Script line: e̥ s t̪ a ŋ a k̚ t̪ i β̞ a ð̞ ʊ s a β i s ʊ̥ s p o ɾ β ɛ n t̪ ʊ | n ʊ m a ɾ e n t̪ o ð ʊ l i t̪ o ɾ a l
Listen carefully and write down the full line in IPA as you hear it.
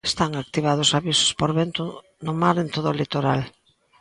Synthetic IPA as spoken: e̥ s t̪ a ŋ a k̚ t̪ i β̞ a ð̞ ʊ s a β i s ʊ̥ s p o ɾ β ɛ n t̪ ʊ | n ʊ m a ɾ e n t̪ o ð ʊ l i t̪ o ɾ a l

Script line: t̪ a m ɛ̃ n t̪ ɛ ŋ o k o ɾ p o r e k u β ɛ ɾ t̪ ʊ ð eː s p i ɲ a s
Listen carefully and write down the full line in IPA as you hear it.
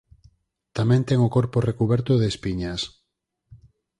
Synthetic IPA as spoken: t̪ a m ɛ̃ n t̪ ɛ ŋ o k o ɾ p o r e k u β ɛ ɾ t̪ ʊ ð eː s p i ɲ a s

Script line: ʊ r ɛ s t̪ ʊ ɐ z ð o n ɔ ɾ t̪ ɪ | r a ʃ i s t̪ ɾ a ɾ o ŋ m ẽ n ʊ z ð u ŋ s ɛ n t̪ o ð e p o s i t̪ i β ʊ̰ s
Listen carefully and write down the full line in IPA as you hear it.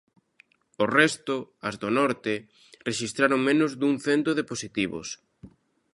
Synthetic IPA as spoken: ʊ r ɛ s t̪ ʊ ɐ z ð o n ɔ ɾ t̪ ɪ | r e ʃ i s t̪ ɾ a ɾ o ŋ m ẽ n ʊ z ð u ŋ θ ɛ n t̪ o ð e p o s i t̪ i β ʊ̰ s

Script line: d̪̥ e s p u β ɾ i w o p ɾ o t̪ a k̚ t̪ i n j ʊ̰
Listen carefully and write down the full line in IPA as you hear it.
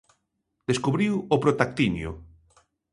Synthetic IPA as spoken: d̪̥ e s k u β ɾ i w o p ɾ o t̪ a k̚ t̪ i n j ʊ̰

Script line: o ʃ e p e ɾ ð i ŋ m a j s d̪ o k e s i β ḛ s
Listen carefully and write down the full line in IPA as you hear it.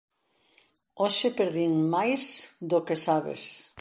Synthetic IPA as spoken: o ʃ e p e ɾ ð i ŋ m a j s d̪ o k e s a β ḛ s

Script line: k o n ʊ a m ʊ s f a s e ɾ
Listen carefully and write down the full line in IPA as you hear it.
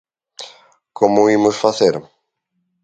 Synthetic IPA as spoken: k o m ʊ i m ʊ s f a θ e ɾ

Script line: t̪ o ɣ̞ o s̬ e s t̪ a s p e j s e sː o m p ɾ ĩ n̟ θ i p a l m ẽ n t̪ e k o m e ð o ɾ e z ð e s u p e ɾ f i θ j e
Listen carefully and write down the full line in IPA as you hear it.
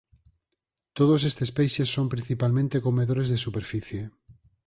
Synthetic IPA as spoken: t̪ o ð̞ o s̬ e s t̪ e s p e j ʃ e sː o m p ɾ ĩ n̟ θ i p a l m ẽ n t̪ e k o m e ð o ɾ e z ð e s u p e ɾ f i θ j e

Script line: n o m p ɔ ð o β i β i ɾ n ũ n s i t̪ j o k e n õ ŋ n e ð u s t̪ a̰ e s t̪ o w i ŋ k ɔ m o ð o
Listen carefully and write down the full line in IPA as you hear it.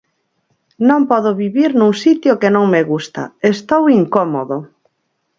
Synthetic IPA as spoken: n õ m p ɔ ð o β i β i ɾ n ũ ŋ s i t̪ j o k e n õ ŋ m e ɣ u s t̪ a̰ e s t̪ o w i ŋ k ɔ m o ð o

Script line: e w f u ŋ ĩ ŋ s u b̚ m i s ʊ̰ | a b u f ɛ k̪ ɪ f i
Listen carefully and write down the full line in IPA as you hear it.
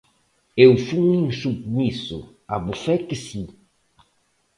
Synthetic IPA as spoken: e w f u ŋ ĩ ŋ s u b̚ m i s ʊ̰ | a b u f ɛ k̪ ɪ s i

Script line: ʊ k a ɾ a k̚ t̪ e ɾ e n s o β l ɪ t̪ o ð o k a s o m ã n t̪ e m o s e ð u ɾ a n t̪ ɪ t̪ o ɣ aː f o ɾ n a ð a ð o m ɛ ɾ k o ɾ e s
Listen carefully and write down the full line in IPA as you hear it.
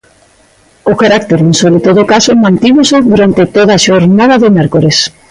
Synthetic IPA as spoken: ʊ k a ɾ a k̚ t̪ e ɾ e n s o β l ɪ t̪ o ð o k a s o m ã n t̪ i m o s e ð u ɾ a n t̪ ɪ t̪ o ð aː ʃ o ɾ n a ð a ð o m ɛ ɾ k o ɾ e s

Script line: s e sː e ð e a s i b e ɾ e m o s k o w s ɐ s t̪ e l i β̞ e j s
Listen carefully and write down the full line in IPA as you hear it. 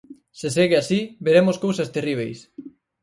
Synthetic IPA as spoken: s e s e ɣ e a s i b e ɾ e m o s k o w s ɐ s t̪ e r i β̞ e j s

